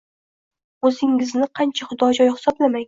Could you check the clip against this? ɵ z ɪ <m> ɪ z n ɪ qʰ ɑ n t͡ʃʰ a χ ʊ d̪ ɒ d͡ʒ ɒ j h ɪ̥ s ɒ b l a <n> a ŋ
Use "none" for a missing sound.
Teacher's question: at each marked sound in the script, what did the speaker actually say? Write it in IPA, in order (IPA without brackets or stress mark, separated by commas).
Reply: ŋ, m